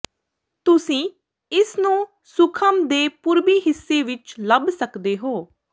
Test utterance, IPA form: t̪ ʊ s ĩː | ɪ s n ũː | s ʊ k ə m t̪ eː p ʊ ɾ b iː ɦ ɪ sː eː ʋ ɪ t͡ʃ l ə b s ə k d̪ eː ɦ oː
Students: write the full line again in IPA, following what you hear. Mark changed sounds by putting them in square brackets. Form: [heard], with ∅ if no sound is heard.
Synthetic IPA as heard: t̪ ʊ s ĩː | ɪ s n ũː | s ʊ [kʰ] ə m [d̪] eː p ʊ ɾ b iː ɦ ɪ sː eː ʋ ɪ t͡ʃ l ə b s ə k d̪ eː ɦ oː